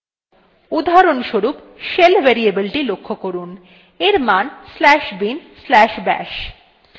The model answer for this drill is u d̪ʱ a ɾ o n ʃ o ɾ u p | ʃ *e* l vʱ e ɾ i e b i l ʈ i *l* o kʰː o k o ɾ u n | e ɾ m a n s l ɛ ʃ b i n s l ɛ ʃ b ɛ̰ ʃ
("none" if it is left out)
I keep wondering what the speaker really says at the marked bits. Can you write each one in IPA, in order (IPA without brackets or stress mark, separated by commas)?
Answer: e, l